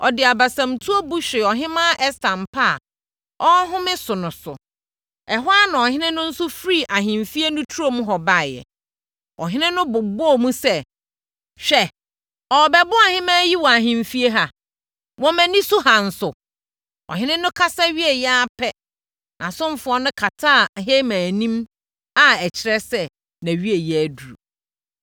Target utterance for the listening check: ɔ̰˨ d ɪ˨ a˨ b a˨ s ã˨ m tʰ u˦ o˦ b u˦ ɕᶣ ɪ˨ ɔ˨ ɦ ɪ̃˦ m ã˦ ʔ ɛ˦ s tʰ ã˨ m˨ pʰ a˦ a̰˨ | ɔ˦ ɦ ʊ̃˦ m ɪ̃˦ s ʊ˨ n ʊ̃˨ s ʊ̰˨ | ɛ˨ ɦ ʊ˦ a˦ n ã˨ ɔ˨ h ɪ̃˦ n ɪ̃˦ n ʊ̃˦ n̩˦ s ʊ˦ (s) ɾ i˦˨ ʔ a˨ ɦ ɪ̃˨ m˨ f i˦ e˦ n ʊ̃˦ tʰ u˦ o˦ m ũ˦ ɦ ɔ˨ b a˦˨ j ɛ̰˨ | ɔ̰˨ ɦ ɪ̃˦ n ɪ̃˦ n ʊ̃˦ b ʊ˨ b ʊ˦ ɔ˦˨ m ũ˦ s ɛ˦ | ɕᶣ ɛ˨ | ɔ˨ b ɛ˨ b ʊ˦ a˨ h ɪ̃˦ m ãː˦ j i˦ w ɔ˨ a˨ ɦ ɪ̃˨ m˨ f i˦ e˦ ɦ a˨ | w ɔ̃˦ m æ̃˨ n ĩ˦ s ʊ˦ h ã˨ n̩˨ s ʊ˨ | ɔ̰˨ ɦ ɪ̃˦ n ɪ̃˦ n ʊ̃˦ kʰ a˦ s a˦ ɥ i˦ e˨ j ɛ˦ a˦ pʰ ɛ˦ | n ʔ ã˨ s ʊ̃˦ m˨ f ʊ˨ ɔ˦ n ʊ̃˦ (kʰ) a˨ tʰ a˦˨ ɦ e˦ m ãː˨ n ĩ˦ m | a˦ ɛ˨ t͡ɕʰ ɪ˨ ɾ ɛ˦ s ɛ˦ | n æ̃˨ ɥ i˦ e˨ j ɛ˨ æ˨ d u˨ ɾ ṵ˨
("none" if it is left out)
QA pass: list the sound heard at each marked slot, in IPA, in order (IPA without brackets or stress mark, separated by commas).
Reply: f, kʰ